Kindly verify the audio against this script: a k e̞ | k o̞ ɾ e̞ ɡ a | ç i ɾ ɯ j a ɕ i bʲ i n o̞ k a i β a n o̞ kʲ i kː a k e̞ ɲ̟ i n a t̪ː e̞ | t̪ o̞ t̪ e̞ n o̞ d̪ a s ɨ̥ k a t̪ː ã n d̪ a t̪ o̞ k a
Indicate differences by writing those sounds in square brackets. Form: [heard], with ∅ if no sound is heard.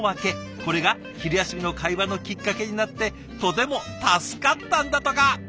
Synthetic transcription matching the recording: a k e̞ | k o̞ ɾ e̞ ɡ a | ç i ɾ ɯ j a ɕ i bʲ i n o̞ k a i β a n o̞ kʲ i kː a k e̞ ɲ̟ i n a t̪ː e̞ | t̪ o̞ t̪ e̞ [m] o̞ [t̪] a s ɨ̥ k a t̪ː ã n d̪ a t̪ o̞ k a